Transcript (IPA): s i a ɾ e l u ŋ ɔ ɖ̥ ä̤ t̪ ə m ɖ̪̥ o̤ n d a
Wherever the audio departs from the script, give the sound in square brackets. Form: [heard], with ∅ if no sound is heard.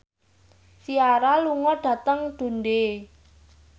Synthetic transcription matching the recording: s i a ɾ [a] l u ŋ ɔ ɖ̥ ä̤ t̪ ə [ŋ] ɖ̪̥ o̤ n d [e]